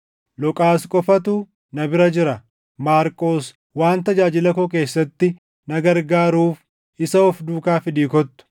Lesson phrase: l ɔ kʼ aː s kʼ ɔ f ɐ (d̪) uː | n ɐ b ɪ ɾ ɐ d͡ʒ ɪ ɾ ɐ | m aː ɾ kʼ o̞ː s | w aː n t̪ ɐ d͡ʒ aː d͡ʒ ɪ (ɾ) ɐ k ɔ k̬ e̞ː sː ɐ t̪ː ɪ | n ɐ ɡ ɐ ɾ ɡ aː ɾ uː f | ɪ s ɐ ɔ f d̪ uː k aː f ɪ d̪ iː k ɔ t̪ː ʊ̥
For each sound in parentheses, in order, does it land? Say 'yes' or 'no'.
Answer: no, no

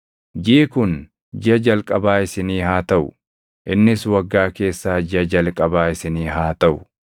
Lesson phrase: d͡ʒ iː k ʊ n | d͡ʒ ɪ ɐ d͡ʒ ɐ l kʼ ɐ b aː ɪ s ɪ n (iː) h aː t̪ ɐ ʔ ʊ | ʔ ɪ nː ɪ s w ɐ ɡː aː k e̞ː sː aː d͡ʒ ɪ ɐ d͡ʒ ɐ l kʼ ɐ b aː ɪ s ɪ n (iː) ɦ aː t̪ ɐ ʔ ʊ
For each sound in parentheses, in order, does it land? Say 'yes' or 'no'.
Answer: yes, yes

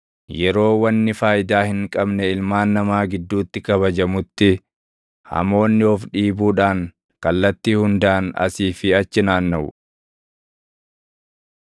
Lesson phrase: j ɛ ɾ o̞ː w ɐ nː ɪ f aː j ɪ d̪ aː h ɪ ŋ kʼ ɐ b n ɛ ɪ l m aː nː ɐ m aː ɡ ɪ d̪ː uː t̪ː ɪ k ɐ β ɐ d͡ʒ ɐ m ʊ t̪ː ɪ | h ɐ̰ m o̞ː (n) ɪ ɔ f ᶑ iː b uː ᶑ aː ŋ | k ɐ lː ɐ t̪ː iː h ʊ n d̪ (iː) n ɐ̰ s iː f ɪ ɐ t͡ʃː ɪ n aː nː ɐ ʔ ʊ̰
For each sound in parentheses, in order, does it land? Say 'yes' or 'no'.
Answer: no, no

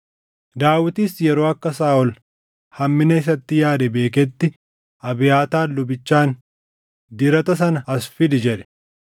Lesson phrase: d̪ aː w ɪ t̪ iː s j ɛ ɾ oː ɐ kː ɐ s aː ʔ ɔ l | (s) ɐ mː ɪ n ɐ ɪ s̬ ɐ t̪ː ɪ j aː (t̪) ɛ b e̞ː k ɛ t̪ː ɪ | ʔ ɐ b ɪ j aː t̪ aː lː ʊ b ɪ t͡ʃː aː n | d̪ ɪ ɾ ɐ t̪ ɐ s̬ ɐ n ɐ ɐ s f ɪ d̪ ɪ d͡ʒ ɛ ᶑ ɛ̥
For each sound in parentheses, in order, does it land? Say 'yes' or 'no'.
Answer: no, no

